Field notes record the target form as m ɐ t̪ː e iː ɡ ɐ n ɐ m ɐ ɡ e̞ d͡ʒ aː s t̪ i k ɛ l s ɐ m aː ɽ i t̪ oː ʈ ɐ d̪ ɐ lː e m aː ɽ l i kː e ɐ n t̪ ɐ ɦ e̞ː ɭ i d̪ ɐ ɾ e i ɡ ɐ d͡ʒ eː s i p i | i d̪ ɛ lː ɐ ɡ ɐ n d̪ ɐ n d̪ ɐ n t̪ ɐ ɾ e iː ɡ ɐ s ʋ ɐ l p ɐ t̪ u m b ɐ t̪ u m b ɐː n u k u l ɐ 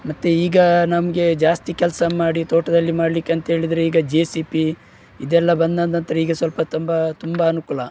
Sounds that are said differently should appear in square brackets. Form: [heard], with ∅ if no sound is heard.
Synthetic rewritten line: m ɐ t̪ː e iː ɡ ɐ n ɐ m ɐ ɡ e̞ d͡ʒ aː s t̪ i k ɛ l s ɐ m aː ɽ i t̪ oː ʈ ɐ d̪ ɐ lː [i] m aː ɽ l i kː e ɐ n t̪ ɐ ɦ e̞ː ɭ i d̪ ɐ ɾ e [iː] ɡ ɐ d͡ʒ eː s i p i | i d̪ ɛ lː ɐ [b] ɐ n d̪ ɐ n d̪ ɐ n t̪ ɐ ɾ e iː ɡ ɐ s ʋ ɐ l p ɐ t̪ u m b ɐ t̪ u m b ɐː n u k u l ɐ